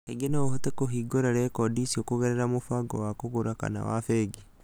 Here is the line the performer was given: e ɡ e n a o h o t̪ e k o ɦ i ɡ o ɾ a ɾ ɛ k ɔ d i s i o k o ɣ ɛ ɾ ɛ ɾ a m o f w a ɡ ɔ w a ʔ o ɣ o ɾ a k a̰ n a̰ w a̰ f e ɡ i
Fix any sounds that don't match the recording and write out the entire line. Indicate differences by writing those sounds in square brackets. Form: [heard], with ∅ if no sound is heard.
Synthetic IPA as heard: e ɡ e n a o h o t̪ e k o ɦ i ɡ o ɾ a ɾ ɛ k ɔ d i s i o k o ɣ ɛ ɾ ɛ ɾ a m o f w a ɡ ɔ w a [k] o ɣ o ɾ a k a̰ n a̰ w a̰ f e ɡ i